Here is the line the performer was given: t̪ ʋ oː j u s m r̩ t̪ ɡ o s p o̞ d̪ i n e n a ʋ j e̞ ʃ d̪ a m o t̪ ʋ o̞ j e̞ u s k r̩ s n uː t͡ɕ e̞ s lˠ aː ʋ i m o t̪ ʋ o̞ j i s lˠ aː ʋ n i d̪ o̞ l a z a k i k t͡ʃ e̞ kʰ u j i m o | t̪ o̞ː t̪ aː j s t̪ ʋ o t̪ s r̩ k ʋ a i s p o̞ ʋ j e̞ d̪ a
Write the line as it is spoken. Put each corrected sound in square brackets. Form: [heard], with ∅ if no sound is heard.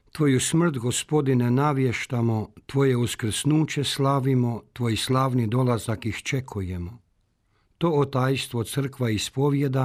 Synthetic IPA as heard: t̪ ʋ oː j u s m r̩ t̪ ɡ o s p o̞ d̪ i n e n a ʋ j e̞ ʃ [t̪] a m o t̪ ʋ o̞ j e̞ u s k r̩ s n uː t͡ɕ e̞ s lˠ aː ʋ i m o t̪ ʋ o̞ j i s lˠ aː ʋ n i d̪ o̞ l a z a k i [x] t͡ʃ e̞ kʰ u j [e] m o | t̪ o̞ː t̪ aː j s t̪ ʋ o t̪ s r̩ k ʋ a i s p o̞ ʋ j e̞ d̪ a